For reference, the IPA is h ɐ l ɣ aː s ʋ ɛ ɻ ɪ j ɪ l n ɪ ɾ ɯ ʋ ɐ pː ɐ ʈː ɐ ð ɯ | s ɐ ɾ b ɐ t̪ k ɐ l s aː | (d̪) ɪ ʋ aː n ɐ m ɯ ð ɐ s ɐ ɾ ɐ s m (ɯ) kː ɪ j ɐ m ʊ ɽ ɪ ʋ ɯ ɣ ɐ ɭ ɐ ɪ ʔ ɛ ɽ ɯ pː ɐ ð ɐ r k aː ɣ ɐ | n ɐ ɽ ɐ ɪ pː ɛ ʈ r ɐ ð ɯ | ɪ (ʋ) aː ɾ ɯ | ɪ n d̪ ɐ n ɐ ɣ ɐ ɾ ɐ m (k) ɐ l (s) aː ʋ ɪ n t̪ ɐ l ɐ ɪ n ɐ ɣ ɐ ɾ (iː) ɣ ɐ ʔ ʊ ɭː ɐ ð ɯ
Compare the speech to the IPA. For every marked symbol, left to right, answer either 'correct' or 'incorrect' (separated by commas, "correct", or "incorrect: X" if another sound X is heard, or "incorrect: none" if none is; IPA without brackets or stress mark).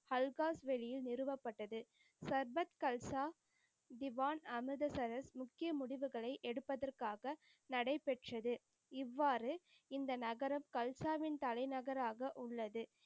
correct, incorrect: ʊ, incorrect: ʋː, correct, correct, incorrect: aː